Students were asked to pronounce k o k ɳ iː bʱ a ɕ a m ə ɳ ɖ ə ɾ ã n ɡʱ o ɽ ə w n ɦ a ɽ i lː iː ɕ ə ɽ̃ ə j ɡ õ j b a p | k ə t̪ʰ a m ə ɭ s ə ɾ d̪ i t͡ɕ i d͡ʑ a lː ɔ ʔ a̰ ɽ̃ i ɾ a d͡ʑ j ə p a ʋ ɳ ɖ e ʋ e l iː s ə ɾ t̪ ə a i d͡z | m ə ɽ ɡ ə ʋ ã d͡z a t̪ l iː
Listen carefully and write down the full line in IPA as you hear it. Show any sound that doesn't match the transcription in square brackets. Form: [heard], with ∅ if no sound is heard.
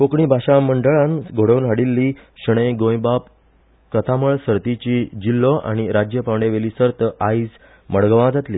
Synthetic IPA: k o k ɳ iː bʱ a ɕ a m ə ɳ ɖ ə [ɭ] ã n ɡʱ o ɽ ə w n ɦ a ɽ i lː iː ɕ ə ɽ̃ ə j ɡ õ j b a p | k ə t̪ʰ a m ə ɭ s ə ɾ [t̪] i t͡ɕ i d͡ʑ [i] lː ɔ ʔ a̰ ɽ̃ i ɾ a d͡ʑ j ə p a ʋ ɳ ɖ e ʋ e l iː s ə ɾ t̪ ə a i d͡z | m ə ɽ ɡ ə ʋ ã d͡z a t̪ l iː